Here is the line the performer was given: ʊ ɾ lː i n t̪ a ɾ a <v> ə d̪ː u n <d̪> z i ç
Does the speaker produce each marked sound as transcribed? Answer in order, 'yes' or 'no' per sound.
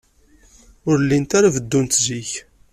yes, no

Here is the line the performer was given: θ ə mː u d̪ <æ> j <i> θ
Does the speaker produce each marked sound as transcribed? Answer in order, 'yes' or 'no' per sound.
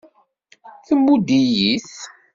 no, yes

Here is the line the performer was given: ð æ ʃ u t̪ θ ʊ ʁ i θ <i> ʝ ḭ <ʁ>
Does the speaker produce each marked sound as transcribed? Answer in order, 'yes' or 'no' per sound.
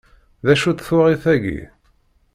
no, no

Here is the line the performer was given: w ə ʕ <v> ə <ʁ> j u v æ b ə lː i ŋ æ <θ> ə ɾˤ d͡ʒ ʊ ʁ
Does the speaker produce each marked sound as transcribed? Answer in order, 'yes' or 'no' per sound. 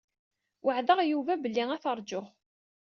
no, yes, yes

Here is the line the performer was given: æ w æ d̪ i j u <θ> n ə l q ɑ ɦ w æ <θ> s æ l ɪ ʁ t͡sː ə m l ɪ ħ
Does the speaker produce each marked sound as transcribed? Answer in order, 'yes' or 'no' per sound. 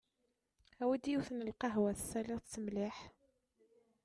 yes, yes

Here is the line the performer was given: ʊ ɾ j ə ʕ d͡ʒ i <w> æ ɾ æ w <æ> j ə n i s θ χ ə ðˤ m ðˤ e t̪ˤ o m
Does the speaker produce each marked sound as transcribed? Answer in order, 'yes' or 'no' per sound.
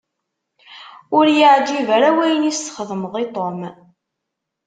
no, yes

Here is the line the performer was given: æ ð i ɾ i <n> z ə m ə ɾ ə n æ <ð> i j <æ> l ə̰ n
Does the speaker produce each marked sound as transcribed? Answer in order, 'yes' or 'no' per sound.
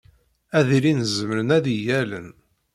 yes, yes, yes

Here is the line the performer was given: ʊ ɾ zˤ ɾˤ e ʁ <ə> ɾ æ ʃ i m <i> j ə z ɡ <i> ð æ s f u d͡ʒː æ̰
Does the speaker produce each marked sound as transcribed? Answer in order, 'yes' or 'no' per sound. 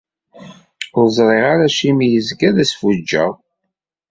no, yes, no

